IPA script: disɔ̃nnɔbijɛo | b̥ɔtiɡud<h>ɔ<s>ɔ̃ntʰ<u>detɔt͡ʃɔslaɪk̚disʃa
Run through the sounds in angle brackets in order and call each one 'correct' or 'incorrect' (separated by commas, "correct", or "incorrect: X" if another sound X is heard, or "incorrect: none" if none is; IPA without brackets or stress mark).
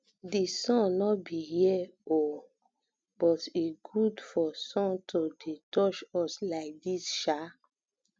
incorrect: f, correct, incorrect: o